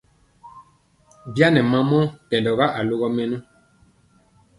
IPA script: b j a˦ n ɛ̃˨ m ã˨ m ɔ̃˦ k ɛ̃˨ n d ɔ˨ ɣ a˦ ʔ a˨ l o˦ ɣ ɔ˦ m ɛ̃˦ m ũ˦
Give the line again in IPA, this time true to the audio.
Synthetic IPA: b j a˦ n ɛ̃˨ m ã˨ m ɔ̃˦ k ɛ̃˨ n d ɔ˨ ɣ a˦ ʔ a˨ l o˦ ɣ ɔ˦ m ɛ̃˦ n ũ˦